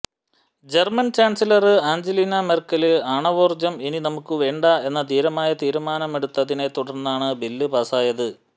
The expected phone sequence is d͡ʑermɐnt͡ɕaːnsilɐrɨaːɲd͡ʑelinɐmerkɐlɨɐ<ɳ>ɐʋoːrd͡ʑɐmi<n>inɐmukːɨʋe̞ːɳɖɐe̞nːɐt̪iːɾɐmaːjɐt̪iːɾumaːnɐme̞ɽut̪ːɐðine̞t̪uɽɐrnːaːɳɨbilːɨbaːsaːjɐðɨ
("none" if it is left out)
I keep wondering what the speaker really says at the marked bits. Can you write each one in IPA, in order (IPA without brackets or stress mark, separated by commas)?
ɳ, n